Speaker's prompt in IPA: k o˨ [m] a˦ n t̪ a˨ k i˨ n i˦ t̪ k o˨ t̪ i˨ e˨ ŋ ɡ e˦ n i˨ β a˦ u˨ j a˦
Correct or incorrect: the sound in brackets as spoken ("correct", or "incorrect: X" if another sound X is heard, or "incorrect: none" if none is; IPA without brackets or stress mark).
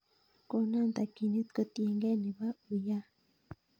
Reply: incorrect: n